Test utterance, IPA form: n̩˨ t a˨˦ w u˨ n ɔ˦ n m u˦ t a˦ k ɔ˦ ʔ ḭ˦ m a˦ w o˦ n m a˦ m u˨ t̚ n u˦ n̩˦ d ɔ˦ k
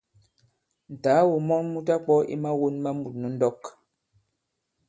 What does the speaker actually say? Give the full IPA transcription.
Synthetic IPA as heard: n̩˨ t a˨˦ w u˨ m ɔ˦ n m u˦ t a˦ k͡p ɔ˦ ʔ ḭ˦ m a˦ w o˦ n m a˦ m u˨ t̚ n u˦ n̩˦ d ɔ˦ k